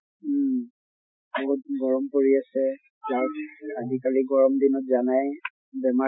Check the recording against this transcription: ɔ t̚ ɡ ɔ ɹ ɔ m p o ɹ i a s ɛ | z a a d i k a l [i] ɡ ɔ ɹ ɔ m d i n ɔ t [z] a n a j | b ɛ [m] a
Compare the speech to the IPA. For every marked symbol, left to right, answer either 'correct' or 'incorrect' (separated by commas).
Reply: correct, correct, correct